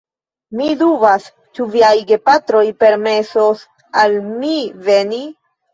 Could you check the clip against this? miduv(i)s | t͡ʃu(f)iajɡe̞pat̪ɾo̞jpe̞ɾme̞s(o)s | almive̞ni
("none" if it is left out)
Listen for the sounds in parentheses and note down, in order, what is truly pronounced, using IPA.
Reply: a, v, o

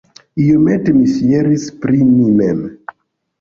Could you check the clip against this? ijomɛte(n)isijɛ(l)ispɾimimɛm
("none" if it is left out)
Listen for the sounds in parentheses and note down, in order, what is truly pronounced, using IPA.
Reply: m, ɾ

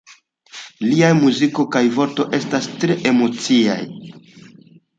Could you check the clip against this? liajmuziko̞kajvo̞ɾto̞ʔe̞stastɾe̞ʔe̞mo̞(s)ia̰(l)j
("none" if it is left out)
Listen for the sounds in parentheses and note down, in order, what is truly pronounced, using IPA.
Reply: t͡s, none

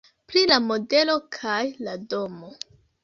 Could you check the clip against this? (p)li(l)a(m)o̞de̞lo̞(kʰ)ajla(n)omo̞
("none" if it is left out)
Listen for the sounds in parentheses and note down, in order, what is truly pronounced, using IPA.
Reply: p, l, m, kʰ, d

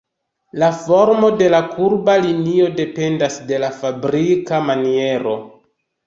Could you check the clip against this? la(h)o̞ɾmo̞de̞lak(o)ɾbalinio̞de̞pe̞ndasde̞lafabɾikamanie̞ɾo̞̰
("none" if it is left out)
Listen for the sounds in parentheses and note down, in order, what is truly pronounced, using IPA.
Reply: f, u

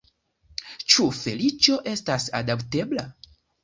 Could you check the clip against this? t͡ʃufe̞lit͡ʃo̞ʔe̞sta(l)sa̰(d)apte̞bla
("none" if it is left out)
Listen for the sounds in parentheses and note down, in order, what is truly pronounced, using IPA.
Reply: none, d

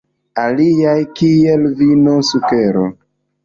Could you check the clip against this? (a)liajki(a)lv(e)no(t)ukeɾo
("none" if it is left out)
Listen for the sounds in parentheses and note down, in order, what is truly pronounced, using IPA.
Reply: a, e, i, s

